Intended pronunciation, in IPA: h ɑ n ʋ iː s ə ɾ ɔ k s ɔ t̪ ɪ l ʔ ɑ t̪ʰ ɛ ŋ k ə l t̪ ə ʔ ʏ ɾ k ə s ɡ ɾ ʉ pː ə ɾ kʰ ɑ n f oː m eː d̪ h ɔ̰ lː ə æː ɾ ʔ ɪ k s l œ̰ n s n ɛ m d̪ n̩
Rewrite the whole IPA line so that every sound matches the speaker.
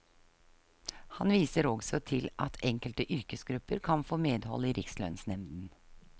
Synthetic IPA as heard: h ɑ n ʋ iː s ə ɾ ɔ ɡ s ɔ t̪ʰ ɪ l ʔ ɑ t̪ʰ ɛ ŋ k ə l t̪ ə ʔ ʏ ɾ k ə s ɡ ɾ ʉ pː ə ɾ kʰ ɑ n f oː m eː d̪ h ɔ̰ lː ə iː ɾ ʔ ɪ k s l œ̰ n s n ɛ m d̪ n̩